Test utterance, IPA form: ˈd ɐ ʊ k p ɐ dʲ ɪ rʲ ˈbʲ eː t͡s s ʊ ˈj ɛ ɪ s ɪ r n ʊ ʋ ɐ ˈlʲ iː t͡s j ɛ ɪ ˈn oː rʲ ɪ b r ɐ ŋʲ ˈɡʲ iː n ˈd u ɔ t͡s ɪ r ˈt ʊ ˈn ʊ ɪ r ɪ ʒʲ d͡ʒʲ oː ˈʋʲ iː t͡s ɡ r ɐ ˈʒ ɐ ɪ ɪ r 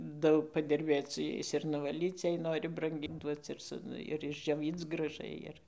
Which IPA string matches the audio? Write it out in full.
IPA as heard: ˈd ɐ ʊ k p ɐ dʲ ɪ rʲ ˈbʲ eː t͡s s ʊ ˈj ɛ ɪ s ɪ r n ʊ ʋ ɐ ˈlʲ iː t͡s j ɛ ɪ ˈn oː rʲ ɪ b r ɐ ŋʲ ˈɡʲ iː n ˈd u ɔ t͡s ɪ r ˈs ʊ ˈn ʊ ɪ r ɪ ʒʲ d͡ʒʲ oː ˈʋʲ iː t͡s ɡ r ɐ ˈʒ ɐ ɪ ɪ r